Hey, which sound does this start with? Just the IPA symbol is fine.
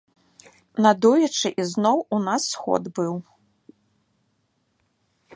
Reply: n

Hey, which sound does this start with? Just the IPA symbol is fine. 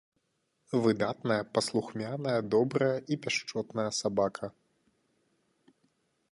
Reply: v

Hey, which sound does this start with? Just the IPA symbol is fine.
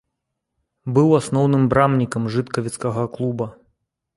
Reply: b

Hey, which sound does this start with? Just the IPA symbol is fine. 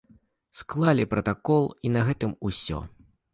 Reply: s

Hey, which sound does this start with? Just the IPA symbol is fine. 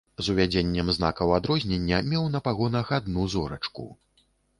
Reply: z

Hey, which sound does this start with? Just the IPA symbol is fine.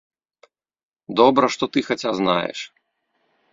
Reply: d̪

